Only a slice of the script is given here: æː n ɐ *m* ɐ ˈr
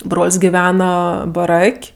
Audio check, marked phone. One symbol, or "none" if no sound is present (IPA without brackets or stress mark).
b